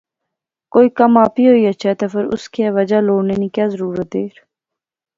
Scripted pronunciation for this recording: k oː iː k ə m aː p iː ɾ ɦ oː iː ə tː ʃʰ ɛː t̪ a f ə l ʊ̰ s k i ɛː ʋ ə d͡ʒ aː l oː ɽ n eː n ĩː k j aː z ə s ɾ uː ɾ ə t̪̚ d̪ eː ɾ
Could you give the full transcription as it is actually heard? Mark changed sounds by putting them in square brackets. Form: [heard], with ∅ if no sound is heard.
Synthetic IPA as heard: k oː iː k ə m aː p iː [∅] ɦ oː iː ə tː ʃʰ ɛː t̪ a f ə [ɾ] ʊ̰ s k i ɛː ʋ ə d͡ʒ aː l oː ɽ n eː n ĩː k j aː z ə [∅] ɾ uː ɾ ə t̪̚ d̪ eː ɾ